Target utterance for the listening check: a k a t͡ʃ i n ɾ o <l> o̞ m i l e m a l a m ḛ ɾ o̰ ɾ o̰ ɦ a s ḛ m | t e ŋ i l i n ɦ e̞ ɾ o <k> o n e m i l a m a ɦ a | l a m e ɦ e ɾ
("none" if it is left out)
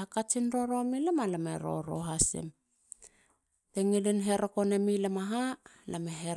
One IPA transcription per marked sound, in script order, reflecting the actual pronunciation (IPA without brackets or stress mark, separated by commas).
ɾ, k